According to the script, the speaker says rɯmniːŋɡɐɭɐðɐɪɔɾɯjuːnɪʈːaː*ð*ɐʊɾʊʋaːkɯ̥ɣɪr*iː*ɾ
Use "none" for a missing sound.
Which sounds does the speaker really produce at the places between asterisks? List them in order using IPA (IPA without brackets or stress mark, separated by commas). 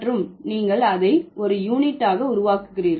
ɣ, iː